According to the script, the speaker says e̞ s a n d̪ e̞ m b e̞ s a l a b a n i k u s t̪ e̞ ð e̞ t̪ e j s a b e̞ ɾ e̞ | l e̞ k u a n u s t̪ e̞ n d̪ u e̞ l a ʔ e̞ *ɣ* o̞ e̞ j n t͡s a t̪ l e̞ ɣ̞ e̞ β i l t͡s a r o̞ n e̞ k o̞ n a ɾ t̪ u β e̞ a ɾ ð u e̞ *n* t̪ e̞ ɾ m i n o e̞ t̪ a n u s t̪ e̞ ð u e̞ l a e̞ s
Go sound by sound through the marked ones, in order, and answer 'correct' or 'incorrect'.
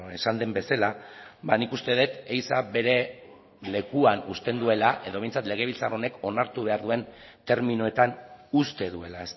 incorrect: ð, correct

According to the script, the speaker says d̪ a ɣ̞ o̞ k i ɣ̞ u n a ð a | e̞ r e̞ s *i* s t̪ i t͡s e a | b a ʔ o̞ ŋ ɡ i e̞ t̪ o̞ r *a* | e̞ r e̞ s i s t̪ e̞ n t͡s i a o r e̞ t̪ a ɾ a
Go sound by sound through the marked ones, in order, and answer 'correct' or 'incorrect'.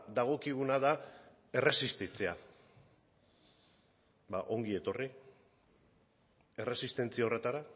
correct, incorrect: i

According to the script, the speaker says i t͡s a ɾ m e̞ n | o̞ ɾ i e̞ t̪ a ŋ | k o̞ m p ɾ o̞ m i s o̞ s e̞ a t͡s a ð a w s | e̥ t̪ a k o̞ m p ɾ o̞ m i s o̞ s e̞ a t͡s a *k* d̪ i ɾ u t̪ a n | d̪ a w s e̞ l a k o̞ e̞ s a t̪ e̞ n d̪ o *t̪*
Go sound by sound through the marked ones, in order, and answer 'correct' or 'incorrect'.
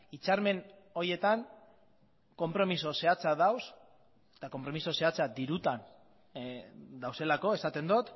incorrect: none, correct

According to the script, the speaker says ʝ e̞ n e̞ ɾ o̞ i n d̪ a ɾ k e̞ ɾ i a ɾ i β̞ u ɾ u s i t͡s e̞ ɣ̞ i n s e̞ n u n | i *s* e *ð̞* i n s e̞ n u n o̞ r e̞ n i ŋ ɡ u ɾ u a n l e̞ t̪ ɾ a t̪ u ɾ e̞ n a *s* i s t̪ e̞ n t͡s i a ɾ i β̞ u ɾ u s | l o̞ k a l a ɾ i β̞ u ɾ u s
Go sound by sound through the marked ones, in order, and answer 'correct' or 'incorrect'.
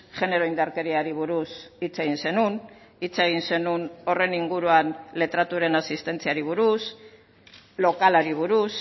incorrect: t͡s, incorrect: ɣ̞, correct

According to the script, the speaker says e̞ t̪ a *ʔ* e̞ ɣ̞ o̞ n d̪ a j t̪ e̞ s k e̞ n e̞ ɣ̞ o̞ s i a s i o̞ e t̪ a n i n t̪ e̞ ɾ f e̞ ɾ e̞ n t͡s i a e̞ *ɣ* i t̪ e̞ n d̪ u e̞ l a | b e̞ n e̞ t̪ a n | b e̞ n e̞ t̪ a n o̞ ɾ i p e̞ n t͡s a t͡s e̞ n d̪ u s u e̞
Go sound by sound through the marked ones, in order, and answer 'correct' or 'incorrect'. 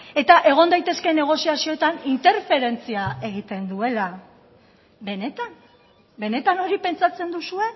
correct, correct

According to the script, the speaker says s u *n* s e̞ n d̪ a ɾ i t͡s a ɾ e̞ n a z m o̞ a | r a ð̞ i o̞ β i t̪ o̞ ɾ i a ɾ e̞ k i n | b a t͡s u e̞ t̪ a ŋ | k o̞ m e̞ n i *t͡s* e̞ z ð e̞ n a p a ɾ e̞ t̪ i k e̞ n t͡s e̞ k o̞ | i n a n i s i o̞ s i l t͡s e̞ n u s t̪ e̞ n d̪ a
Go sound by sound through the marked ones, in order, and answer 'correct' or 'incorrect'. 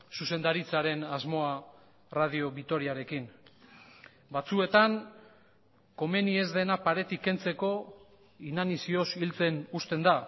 incorrect: none, incorrect: none

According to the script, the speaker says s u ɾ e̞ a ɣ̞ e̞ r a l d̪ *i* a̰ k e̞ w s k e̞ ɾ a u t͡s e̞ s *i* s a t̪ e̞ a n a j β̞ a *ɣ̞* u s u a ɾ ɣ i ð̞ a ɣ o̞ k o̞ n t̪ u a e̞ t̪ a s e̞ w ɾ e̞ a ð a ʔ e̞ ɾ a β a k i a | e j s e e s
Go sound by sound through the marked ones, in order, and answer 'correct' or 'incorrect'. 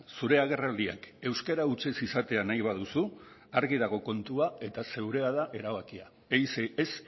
correct, correct, incorrect: ð̞

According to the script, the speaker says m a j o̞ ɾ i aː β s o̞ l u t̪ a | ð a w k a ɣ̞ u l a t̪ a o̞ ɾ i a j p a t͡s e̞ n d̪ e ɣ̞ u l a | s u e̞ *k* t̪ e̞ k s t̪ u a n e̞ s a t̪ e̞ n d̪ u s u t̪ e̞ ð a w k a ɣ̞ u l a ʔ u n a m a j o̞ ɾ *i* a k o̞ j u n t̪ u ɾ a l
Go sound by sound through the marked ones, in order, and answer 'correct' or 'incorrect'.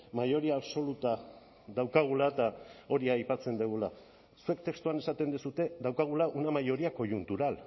correct, correct

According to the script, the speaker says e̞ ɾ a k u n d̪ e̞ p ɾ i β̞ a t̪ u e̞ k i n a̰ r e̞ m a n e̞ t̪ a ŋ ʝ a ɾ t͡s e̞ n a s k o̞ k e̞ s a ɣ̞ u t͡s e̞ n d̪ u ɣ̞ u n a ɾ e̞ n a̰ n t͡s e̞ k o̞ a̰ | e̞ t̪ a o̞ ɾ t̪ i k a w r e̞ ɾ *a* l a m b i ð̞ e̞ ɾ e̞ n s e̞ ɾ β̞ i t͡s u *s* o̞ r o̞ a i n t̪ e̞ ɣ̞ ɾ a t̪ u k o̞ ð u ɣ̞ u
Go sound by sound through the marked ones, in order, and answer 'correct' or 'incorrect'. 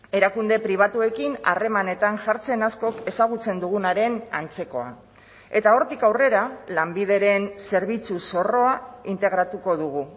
correct, correct

